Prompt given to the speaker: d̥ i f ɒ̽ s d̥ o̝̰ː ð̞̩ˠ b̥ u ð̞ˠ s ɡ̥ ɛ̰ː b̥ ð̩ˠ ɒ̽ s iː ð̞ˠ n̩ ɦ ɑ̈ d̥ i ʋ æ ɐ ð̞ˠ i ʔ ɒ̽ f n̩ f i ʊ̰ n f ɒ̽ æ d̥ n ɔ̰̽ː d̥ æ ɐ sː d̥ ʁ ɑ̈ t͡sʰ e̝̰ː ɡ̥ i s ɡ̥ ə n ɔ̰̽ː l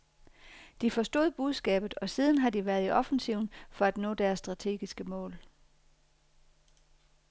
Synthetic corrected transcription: d̥ i f ɒ̽ s d̥ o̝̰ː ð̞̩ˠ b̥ u ð̞ˠ s ɡ̥ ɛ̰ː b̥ ð̩ˠ ɒ̽ s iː ð̞ˠ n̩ ɦ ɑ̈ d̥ i ʋ æ ɐ ð̞ˠ i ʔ ɒ̽ f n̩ s i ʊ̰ n f ɒ̽ æ d̥ n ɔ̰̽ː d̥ æ ɐ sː d̥ ʁ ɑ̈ t͡sʰ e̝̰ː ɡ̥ i s ɡ̥ ə m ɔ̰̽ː l